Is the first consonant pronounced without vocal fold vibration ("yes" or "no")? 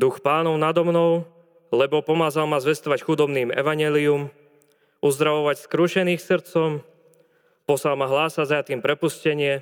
no